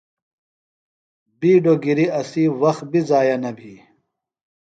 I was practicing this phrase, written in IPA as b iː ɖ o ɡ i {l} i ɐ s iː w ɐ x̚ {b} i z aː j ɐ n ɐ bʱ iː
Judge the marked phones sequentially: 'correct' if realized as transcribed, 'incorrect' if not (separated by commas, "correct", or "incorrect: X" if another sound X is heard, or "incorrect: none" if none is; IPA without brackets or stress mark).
incorrect: ɾ, correct